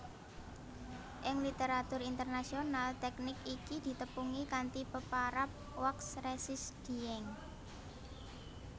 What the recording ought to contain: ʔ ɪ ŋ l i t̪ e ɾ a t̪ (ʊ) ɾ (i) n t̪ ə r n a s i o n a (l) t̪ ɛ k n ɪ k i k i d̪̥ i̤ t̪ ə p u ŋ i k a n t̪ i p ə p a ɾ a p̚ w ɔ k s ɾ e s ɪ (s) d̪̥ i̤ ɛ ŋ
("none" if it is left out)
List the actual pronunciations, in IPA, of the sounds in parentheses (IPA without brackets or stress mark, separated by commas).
ʊ, i, l, s